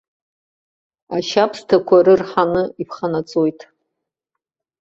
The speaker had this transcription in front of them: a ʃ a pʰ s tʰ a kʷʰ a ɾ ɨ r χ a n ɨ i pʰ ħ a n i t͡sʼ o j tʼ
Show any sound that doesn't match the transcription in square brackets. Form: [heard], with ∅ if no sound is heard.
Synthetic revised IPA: a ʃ a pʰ s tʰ a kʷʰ a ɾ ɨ r [ħ] a n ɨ i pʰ [χ] a n [a] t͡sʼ o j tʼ